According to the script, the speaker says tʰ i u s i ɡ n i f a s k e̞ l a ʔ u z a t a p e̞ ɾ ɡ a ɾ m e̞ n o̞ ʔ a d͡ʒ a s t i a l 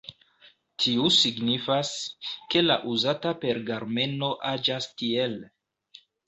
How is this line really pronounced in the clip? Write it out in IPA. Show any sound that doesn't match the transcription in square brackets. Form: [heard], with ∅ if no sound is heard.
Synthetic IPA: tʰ i u s i ɡ n i f a s k e̞ l a ʔ u z a t a p e̞ ɾ ɡ a ɾ m e̞ n o̞ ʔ a d͡ʒ a s t i [e] l